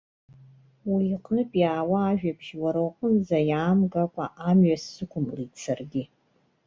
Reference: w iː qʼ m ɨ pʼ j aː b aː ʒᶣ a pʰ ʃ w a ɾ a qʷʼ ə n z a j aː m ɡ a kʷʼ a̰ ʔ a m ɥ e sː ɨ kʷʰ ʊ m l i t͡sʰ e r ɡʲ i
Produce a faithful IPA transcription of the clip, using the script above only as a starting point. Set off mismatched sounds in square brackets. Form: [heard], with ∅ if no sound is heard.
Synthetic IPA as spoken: w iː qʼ [n] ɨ pʼ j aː [w] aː ʒᶣ a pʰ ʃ w a ɾ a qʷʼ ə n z a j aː m ɡ a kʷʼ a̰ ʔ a m ɥ [a] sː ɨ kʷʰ ʊ m l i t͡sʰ [a] r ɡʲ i